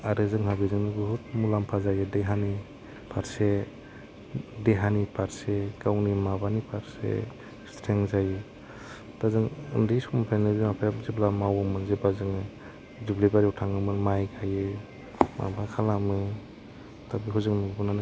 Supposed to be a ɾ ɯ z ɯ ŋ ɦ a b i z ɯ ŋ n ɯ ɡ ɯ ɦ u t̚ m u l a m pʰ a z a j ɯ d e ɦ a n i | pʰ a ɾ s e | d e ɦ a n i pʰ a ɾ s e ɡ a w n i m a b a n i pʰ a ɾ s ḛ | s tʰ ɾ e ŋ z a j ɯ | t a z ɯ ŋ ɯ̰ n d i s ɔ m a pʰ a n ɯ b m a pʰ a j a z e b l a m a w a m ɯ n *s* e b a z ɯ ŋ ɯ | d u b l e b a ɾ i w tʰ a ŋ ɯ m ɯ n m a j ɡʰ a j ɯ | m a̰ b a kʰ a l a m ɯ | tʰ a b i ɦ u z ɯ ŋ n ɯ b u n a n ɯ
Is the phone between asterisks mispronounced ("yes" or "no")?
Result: yes